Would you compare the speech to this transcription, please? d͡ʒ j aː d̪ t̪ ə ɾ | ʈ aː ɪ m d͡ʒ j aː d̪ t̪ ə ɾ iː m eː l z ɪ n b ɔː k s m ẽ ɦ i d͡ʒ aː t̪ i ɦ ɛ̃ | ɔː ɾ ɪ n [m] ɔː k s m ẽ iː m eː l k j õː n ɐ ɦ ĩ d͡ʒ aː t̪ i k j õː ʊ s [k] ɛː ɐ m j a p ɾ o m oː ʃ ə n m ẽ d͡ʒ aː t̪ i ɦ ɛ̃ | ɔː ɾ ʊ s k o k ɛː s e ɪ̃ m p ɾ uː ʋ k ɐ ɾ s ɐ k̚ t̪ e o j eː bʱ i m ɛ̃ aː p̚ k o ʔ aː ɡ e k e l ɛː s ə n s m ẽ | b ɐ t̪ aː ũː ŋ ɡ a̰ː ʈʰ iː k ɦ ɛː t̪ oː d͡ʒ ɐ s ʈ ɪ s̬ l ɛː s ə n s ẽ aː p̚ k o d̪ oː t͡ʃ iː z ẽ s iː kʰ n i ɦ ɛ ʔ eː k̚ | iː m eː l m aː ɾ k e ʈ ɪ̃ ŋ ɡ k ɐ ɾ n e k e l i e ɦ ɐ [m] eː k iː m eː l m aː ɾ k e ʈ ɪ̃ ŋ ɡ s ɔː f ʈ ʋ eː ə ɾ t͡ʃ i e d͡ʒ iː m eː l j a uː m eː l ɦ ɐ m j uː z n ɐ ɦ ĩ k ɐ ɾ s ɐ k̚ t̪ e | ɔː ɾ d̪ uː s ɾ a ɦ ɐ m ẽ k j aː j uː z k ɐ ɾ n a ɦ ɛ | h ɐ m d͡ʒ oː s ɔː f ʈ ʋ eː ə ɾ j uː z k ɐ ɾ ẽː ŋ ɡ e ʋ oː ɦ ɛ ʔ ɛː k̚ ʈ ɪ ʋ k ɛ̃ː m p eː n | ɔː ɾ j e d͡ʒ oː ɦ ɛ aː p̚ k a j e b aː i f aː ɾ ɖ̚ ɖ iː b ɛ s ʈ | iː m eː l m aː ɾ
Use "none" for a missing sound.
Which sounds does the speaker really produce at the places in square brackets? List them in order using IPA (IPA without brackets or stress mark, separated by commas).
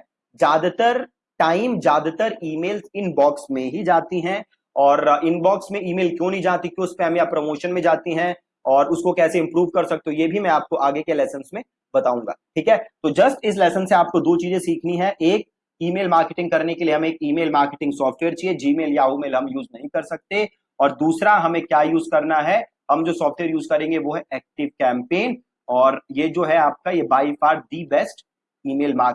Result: b, p, m